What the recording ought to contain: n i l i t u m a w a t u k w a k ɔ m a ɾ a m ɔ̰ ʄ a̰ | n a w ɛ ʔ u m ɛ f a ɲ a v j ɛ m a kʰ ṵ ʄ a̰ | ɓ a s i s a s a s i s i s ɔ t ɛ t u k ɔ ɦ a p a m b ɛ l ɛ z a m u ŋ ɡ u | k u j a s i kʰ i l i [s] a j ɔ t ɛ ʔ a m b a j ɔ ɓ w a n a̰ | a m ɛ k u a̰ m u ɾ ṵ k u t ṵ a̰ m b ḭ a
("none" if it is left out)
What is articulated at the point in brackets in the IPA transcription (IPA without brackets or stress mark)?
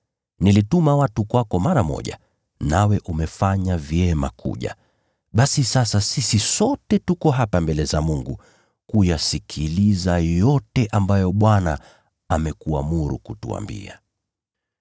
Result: z